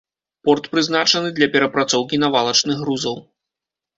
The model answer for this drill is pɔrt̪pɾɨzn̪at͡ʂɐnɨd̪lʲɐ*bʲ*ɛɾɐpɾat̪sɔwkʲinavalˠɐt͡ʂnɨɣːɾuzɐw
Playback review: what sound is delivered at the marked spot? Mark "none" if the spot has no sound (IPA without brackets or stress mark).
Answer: pʲ